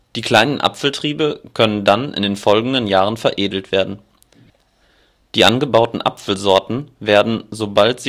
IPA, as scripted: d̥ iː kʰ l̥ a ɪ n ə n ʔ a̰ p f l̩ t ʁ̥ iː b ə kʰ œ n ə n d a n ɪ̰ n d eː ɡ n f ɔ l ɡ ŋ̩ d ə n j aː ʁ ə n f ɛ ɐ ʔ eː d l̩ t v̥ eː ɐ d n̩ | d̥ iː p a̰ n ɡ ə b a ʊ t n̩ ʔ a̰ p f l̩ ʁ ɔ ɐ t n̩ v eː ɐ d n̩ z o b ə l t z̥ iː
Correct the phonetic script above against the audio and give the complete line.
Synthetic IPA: d̥ iː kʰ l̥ a ɪ n ə n ʔ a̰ p f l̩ t ʁ̥ iː b ə kʰ œ n ə n d a n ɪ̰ n d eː n f ɔ l ɡ ŋ̩ d ə n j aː ʁ ə n f ɛ ɐ ʔ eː d l̩ t v̥ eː ɐ d n̩ | d̥ iː ʔ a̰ n ɡ ə b a ʊ t n̩ ʔ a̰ p f l̩ z ɔ ɐ t n̩ v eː ɐ d n̩ z o b a l t z̥ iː